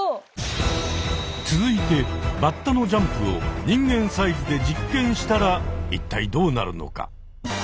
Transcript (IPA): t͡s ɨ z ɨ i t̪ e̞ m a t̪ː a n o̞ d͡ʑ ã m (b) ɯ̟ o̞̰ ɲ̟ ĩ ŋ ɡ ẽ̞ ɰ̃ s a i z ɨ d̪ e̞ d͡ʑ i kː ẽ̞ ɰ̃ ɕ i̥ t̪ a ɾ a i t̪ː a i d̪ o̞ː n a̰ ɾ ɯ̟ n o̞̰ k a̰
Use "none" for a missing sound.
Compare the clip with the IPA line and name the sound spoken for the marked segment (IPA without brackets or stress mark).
p